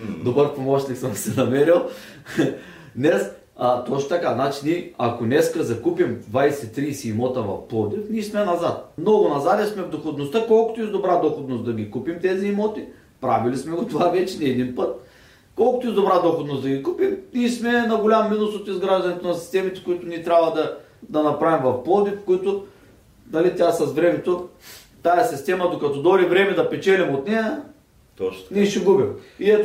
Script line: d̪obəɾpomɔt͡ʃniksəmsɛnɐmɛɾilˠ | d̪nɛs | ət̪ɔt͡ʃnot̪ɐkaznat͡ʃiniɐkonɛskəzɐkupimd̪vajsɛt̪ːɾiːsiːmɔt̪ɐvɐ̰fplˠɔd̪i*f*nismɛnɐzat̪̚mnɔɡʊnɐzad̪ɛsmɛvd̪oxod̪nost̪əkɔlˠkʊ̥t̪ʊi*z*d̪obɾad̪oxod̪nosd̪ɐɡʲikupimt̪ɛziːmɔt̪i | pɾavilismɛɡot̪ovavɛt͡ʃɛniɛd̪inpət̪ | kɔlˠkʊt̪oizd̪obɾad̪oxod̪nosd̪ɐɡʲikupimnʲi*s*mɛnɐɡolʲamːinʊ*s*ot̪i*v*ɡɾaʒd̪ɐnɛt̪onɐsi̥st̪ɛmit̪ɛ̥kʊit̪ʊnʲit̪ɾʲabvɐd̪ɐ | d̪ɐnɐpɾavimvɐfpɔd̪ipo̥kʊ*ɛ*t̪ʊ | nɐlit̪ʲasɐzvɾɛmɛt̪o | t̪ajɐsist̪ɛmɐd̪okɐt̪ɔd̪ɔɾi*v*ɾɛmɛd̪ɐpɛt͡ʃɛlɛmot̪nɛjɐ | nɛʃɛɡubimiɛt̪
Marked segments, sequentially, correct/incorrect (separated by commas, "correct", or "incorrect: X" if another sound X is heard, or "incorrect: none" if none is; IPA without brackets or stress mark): correct, correct, correct, correct, incorrect: z, incorrect: i, correct